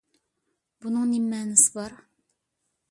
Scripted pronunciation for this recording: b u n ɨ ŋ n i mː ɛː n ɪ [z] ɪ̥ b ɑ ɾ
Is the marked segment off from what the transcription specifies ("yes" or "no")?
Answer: yes